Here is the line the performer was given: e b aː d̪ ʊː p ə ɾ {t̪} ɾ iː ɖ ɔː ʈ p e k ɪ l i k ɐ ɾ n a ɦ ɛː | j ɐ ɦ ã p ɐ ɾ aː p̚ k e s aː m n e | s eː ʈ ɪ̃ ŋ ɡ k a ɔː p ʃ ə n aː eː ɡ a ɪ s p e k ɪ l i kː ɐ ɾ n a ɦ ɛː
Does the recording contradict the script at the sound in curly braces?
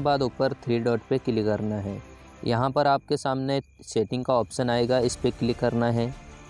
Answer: yes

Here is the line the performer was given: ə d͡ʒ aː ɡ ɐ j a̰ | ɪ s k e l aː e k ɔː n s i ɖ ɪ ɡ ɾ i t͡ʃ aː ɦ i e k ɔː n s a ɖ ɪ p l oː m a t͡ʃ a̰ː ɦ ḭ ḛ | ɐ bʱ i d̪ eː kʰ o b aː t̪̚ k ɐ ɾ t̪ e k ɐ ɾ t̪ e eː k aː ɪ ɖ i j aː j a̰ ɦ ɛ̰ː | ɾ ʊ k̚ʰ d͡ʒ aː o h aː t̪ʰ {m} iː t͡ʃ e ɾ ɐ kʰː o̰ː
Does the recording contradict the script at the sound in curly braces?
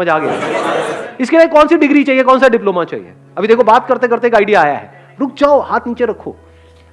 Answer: yes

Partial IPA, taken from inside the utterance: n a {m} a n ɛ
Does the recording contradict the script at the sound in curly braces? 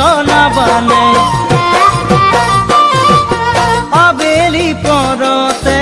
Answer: yes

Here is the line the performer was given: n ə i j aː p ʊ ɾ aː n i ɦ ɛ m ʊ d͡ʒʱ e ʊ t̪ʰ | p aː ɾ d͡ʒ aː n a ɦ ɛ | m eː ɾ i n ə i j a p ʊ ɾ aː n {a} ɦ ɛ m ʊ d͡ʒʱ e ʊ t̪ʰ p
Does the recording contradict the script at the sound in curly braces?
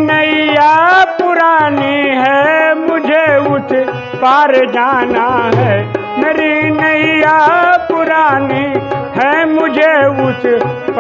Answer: yes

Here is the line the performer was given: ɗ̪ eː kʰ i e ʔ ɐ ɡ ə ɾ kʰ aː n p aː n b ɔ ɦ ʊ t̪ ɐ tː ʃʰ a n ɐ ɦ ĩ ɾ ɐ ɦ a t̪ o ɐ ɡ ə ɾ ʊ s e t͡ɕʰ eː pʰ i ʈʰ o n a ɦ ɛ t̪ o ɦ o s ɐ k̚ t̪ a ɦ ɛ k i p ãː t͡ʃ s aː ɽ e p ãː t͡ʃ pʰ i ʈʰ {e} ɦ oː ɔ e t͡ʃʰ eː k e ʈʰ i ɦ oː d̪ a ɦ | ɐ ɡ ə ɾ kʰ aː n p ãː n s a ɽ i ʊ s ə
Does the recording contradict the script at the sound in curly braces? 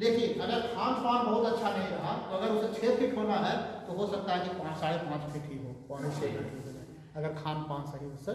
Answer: yes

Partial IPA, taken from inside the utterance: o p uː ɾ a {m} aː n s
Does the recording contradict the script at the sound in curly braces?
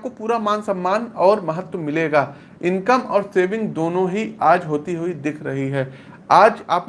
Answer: no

